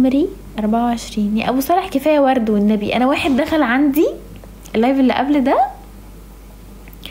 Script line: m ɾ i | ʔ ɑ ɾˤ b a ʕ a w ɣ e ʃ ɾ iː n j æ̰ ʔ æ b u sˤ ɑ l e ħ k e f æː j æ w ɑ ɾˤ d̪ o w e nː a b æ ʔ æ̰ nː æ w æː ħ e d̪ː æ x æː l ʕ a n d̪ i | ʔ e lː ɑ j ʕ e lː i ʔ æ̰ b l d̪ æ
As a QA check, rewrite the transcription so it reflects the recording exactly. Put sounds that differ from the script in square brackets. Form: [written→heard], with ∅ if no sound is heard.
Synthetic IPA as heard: m ɾ i | ʔ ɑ ɾˤ b a ʕ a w [ɣ→ʕ] e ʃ ɾ iː n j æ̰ ʔ æ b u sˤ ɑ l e ħ k e f æː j æ w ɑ ɾˤ d̪ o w e nː [a→æ] b [æ→i] ʔ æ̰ [nː→n] æ w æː ħ e d̪ː æ x [æː→æ] l ʕ a n d̪ i | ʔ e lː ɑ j [ʕ→v] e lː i ʔ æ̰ b l d̪ æ